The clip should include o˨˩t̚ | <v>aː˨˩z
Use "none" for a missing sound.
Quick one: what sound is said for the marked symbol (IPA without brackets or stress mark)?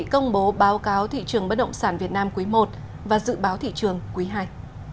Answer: v